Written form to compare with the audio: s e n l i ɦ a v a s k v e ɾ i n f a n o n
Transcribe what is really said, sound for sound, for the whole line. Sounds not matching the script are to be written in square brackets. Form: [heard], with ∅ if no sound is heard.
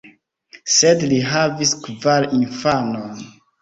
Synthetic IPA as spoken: s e [d] l i ɦ a v [i] s k v [a] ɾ i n f a n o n

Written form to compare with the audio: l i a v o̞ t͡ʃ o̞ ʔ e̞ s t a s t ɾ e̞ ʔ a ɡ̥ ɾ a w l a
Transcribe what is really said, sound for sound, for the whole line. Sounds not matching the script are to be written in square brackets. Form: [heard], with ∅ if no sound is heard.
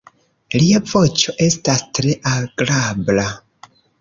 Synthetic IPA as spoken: l i a v o̞ t͡ʃ o̞ ʔ e̞ s t a s t ɾ e̞ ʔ a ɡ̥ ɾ a [b] l a

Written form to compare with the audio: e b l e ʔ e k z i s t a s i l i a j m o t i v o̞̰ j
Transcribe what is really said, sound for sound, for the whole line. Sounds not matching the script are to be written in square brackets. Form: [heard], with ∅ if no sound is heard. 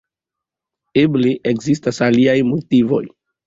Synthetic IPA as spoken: e b l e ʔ e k z i s t a s [a] l i a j m o t i v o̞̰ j

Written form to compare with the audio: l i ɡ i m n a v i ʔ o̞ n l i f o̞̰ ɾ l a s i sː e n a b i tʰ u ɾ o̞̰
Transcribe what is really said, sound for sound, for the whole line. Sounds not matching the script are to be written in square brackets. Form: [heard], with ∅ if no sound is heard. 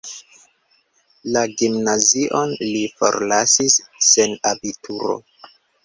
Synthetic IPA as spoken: l [a] ɡ i m n a [z] i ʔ o̞ n l i f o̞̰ ɾ l a s i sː e n a b i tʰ u ɾ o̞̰

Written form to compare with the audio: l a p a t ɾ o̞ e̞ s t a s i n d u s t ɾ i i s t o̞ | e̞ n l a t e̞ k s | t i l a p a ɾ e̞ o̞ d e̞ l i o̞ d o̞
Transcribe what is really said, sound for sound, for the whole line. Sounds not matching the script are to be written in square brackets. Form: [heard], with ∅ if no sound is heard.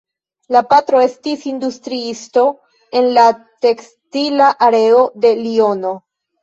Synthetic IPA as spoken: l a p a t ɾ o̞ e̞ s t [i] s i n d u s t ɾ i i s t o̞ | e̞ n l a t e̞ k s | t i l a [ʔ] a ɾ e̞ o̞ d e̞ l i o̞ [n] o̞

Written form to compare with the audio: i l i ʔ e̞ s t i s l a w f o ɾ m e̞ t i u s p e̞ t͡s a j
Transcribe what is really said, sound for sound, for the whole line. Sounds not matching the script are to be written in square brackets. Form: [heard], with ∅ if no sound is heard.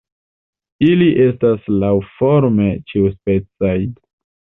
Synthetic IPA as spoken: i l i ʔ e̞ s t [a] s l a w f o ɾ m e̞ [t͡ʃ] i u s p e̞ t͡s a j

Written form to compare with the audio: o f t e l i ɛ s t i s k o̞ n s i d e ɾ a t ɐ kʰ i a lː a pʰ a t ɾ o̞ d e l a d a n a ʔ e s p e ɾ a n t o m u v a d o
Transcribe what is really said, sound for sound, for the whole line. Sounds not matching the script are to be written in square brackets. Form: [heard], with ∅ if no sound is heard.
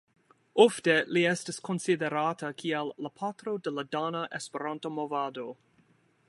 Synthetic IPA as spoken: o f t e l i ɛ s t i s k o̞ n s i d e ɾ a t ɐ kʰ i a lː a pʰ a t ɾ o̞ d e l a d a n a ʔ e s p e ɾ a n t o m [o] v a d o

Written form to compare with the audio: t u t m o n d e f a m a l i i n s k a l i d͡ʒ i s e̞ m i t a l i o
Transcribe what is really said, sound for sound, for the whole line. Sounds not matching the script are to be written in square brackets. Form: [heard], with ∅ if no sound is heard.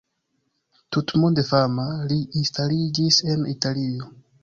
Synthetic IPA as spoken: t u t m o n d e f a m a l i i n s [t] a l i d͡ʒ i s e̞ [n] i t a l i o

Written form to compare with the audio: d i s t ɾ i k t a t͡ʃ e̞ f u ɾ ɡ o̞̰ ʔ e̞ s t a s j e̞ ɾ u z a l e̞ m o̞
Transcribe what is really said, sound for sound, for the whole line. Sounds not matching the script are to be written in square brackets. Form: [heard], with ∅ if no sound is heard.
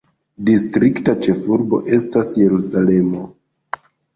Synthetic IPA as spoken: d i s t ɾ i k t a t͡ʃ e̞ f u ɾ [b] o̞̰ ʔ e̞ s t a s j e̞ ɾ u [s] a l e̞ m o̞

